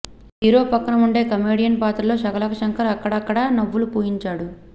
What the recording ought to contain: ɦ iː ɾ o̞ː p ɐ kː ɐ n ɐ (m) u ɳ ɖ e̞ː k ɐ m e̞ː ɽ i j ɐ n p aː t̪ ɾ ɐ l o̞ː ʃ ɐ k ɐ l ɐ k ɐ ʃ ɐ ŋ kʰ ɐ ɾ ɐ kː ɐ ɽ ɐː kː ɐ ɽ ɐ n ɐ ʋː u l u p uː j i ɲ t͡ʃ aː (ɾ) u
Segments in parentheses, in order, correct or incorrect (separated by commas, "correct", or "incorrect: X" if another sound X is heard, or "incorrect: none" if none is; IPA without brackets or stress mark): correct, incorrect: ɽ